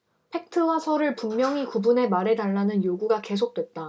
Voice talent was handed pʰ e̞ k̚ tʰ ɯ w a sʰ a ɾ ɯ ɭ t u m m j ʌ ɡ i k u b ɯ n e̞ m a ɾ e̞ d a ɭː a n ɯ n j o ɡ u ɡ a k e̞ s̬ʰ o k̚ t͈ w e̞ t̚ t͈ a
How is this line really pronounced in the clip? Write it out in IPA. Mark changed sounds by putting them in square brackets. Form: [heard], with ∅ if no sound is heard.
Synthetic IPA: pʰ e̞ k̚ tʰ ɯ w a sʰ [ʌ] ɾ ɯ ɭ [p] u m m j ʌ [ŋ] i k u b [u] n e̞ m a ɾ e̞ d a ɭː a n ɯ n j o ɡ u ɡ a k e̞ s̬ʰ o k̚ t͈ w e̞ t̚ t͈ a